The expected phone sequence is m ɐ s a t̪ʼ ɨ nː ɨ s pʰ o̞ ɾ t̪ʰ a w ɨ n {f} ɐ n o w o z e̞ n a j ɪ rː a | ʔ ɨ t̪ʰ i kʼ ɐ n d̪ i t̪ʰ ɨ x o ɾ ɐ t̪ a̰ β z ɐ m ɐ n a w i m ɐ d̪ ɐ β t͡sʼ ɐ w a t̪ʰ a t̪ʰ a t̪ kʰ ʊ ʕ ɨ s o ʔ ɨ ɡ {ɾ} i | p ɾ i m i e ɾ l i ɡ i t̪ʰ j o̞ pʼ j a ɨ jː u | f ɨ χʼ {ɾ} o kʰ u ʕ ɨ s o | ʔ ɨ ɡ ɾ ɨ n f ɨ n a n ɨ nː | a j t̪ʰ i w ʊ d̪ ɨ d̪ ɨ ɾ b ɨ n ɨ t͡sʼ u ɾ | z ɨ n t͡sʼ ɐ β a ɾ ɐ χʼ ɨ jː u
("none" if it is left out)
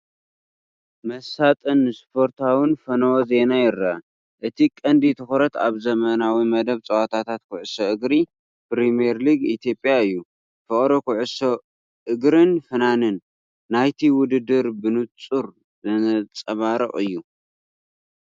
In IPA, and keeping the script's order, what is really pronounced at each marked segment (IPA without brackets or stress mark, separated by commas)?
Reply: f, ɾ, ɾ